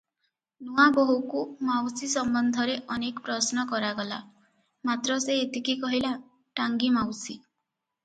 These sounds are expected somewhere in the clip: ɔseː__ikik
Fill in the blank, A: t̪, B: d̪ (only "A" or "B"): A